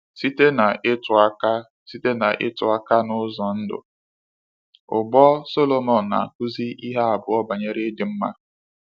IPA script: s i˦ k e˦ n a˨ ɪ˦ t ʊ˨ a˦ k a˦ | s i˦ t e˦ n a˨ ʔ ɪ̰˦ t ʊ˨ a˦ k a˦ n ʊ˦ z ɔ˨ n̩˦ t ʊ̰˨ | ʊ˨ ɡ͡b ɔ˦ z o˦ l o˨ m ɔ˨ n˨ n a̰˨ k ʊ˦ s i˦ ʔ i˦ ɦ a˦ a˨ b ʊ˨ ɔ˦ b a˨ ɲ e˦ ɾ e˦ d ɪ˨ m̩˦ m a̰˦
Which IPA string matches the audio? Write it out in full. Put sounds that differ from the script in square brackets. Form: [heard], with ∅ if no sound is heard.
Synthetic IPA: s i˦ [t] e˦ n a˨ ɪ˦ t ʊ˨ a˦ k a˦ | s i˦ t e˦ n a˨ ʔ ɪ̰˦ t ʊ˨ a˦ k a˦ n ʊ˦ z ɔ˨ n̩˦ [d] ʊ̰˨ | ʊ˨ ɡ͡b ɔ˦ [s] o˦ l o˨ m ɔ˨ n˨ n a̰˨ k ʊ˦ [z] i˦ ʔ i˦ ɦ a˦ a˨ b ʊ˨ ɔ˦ b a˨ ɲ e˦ ɾ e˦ d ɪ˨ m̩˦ m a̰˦

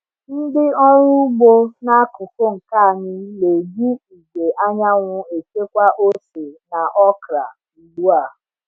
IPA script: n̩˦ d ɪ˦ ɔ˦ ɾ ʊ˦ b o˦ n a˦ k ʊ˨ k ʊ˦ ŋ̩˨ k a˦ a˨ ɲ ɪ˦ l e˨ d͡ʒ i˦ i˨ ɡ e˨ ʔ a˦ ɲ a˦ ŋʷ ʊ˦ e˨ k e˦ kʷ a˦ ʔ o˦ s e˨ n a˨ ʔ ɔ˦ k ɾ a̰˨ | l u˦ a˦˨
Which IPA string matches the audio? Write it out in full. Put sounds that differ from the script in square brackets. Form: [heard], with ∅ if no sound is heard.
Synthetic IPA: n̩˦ d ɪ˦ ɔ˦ ɾ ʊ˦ [ɡ͡b] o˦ n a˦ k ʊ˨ k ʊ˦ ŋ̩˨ k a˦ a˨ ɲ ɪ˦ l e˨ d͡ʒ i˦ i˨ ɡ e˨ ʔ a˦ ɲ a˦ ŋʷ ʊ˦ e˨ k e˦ kʷ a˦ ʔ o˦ s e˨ n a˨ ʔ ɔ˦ k ɾ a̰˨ | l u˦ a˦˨

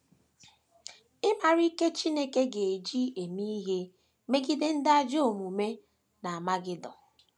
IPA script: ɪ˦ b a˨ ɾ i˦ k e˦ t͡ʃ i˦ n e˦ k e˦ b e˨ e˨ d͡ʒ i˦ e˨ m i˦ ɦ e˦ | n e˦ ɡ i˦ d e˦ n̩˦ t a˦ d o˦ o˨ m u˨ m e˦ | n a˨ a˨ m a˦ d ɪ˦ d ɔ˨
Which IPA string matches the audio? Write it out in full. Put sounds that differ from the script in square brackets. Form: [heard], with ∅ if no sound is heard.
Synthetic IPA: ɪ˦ [m] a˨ ɾ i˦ k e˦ t͡ʃ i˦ n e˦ k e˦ [ɡ] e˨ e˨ d͡ʒ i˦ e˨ m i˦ ɦ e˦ | [m] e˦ ɡ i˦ d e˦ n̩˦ [d] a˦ [d͡ʒ] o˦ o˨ m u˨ m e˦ | n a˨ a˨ m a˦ [ɡ] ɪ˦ d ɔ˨

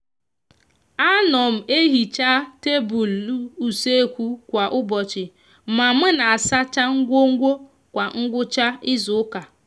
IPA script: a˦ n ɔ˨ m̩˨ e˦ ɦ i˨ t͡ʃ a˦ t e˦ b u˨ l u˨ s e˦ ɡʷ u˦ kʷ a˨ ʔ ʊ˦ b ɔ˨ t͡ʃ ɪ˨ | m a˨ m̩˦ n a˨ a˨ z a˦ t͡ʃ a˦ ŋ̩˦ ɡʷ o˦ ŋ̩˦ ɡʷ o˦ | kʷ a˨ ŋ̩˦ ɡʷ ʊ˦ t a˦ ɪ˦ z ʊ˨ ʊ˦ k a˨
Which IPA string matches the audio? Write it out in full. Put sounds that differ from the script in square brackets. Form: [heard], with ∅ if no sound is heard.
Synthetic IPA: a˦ n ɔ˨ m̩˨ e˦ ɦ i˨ t͡ʃ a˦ t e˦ b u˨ l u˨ s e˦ [kʷ] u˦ kʷ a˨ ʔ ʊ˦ b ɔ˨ t͡ʃ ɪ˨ | m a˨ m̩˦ n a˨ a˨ [s] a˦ t͡ʃ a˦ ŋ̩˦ ɡʷ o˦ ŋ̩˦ ɡʷ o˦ | kʷ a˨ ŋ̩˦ ɡʷ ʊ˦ [t͡ʃ] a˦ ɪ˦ z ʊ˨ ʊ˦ k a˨

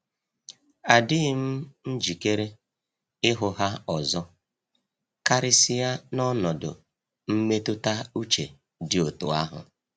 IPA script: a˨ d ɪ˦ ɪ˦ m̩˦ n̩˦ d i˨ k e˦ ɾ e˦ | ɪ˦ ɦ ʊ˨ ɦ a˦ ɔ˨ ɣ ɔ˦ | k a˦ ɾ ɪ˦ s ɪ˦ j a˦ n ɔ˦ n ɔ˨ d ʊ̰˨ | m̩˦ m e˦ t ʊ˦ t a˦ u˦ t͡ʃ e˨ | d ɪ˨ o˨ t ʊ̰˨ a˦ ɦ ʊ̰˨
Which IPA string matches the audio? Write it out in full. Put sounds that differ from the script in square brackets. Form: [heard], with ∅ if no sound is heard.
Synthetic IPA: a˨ d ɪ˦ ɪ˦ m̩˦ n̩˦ [d͡ʒ] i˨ k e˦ ɾ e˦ | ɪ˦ ɦ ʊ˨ ɦ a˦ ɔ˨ [z] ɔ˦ | k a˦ ɾ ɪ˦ s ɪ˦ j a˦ n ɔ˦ n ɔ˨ d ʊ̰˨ | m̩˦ m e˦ t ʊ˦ t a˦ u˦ t͡ʃ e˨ | d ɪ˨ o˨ t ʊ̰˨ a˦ ɦ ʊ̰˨

